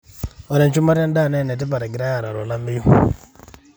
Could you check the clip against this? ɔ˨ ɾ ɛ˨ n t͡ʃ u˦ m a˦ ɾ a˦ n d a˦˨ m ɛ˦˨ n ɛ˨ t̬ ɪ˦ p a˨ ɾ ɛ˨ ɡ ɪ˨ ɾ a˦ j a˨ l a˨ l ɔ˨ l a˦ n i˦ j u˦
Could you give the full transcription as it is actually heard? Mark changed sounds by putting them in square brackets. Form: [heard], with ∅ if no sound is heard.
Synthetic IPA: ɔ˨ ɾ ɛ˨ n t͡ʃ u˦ m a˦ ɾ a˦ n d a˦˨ [n] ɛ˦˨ n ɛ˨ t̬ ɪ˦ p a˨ ɾ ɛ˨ ɡ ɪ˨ ɾ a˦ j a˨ [ɾ] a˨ [ɾ] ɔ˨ l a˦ [m] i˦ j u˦